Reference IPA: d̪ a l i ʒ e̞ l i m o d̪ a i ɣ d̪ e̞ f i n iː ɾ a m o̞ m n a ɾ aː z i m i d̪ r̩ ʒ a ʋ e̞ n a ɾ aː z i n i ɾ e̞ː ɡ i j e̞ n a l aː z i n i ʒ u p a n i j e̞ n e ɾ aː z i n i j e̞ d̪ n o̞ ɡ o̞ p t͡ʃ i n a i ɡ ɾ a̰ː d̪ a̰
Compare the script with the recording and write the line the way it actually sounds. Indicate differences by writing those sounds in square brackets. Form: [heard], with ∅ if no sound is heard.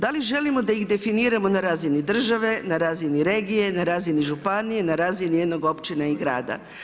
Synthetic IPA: d̪ a l i ʒ e̞ l i m o d̪ a i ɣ d̪ e̞ f i n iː ɾ a m o̞ [∅] n a ɾ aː z i [n] i d̪ r̩ ʒ a ʋ e̞ n a ɾ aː z i n i ɾ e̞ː ɡ i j e̞ n a [ɾ] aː z i n i ʒ u p a n i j e̞ n [a] ɾ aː z i n i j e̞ d̪ n o̞ ɡ o̞ p t͡ʃ i n a i ɡ ɾ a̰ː d̪ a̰